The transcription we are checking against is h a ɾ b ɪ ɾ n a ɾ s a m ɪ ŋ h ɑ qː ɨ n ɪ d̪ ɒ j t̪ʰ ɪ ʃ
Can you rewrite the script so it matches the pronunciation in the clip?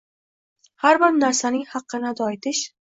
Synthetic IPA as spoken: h a ɾ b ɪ ɾ n a ɾ s a n ɪ ŋ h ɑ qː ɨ n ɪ d̪ ɒ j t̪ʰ ɪ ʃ